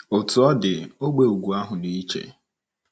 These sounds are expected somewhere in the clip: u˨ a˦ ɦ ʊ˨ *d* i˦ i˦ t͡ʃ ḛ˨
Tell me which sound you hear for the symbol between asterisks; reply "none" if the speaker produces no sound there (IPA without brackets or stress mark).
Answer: n